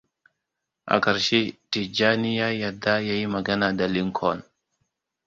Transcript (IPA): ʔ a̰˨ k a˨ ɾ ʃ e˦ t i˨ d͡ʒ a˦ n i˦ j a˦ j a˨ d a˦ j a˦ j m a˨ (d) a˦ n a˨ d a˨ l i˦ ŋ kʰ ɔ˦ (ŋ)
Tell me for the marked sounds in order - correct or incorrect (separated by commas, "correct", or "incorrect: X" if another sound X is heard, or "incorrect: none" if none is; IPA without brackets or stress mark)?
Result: incorrect: ɡ, incorrect: n